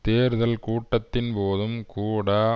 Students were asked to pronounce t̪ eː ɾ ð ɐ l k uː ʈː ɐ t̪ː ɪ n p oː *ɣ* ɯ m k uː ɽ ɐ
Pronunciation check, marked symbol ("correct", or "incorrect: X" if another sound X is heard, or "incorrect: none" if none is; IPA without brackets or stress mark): incorrect: ð